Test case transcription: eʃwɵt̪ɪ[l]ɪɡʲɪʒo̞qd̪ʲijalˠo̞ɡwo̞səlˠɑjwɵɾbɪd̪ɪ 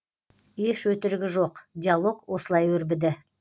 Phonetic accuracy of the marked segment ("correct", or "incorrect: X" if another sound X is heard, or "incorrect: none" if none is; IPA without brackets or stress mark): incorrect: ɾ